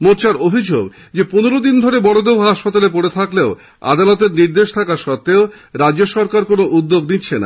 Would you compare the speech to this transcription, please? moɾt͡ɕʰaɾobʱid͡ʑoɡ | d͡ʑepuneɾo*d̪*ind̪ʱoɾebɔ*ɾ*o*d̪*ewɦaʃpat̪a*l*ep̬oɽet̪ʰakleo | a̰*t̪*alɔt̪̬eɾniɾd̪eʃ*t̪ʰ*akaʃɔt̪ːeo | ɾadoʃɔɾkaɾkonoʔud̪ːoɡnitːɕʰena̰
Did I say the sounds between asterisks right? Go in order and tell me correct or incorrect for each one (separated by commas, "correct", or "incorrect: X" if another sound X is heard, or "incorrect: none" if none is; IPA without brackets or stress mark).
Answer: correct, incorrect: ɽ, correct, correct, incorrect: d̪, correct